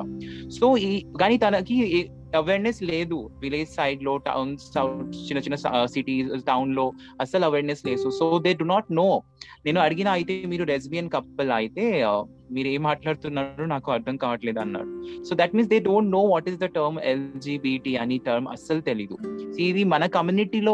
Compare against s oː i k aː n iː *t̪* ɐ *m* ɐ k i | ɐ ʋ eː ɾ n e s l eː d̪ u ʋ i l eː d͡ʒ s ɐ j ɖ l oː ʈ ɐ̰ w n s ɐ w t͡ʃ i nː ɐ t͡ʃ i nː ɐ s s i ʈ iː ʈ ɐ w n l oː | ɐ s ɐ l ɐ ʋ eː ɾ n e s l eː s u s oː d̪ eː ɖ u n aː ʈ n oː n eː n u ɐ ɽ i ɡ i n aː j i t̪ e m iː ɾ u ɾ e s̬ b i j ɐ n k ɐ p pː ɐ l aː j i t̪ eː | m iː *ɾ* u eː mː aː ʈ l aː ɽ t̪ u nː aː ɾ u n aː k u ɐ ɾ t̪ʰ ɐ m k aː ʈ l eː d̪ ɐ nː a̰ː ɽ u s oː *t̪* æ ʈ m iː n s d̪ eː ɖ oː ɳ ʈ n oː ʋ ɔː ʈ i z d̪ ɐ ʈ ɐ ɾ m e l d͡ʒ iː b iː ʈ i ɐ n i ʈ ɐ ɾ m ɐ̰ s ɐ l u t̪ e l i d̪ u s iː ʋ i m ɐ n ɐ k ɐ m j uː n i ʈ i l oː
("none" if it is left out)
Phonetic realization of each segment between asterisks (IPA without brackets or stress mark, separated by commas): t̪, n, ɾ, d̪